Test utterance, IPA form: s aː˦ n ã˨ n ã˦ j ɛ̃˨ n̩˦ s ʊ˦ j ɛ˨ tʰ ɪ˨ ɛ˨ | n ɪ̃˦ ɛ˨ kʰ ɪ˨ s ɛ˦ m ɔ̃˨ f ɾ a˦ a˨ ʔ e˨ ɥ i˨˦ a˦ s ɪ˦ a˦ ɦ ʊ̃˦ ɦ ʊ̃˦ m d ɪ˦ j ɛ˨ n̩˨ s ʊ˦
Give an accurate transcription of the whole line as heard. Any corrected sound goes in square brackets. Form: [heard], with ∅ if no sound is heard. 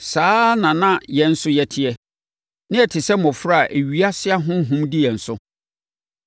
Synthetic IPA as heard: s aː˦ n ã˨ n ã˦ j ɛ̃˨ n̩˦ s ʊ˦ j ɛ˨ tʰ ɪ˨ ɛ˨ | n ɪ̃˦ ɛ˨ [tʰ] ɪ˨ s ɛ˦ m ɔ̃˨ f ɾ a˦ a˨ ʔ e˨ ɥ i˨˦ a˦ s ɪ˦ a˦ ɦ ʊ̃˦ ɦ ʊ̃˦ m d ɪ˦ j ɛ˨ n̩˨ s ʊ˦